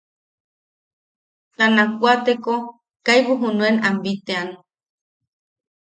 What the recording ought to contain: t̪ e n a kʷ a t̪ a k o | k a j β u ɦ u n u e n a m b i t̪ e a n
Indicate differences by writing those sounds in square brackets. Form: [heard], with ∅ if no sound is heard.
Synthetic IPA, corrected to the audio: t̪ [a] n a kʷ a t̪ [e] k o | k a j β u ɦ u n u e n a m b i t̪ e a n